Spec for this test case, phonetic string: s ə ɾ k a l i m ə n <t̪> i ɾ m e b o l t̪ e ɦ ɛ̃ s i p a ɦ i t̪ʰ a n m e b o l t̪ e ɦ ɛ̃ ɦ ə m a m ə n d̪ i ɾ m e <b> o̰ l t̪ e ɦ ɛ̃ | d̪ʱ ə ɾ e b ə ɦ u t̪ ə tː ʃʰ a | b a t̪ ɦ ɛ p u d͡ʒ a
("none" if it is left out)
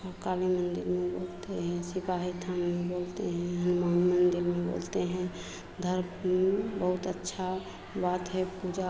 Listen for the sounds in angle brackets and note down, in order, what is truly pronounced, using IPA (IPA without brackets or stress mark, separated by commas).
d̪, b